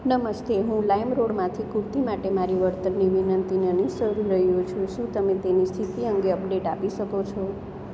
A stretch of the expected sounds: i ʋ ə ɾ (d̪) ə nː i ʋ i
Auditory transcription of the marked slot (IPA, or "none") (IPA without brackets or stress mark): t̪